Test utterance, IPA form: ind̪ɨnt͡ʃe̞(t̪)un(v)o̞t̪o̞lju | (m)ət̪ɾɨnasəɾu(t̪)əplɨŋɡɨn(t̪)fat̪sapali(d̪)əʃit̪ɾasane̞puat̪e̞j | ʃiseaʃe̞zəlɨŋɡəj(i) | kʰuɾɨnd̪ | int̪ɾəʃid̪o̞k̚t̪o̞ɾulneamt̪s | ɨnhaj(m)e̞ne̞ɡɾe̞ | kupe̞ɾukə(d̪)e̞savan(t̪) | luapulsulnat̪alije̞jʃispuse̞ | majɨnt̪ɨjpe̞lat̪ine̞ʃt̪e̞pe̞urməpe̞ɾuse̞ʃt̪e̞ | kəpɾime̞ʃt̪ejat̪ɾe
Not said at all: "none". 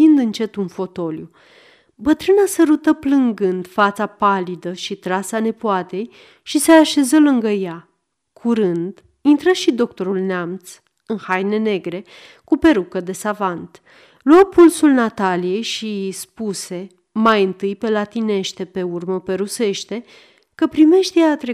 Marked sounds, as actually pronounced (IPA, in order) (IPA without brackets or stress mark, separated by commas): t̪, f, b, t̪, d̪, d̪, a, n, d̪, t̪